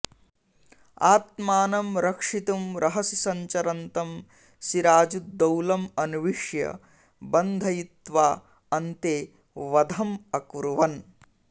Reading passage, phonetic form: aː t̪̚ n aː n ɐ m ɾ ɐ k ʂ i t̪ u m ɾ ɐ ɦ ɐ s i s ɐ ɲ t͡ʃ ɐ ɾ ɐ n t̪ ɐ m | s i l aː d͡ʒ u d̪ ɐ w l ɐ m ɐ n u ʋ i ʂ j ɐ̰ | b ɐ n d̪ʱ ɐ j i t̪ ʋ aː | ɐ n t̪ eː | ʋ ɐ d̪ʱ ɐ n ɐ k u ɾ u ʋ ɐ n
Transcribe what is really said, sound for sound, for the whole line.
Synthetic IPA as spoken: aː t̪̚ m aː n ɐ m ɾ ɐ k ʂ i t̪ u m ɾ ɐ ɦ ɐ s i s ɐ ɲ t͡ʃ ɐ ɾ ɐ n t̪ ɐ m | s i ɾ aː d͡ʒ u d̪ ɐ w l ɐ m ɐ n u ʋ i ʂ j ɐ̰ | b ɐ n d̪ʱ ɐ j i t̪ ʋ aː | ɐ n t̪ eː | ʋ ɐ d̪ʱ ɐ m ɐ k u ɾ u ʋ ɐ n